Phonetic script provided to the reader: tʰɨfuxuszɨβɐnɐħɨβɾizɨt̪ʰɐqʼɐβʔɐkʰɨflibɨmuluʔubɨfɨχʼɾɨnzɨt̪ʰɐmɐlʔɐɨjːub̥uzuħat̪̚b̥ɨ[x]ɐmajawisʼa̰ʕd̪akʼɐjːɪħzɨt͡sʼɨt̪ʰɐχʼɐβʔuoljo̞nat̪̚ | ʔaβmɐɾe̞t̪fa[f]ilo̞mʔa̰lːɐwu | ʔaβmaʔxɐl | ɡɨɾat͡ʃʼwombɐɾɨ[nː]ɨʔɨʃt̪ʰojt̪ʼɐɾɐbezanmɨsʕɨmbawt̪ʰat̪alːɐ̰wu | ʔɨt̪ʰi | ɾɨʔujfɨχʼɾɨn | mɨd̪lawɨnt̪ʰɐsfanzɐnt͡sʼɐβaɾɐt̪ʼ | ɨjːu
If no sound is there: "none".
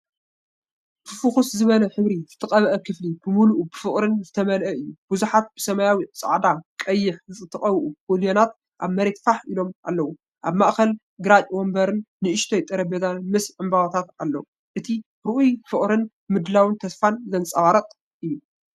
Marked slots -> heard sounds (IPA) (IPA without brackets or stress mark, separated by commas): s, ħ, nː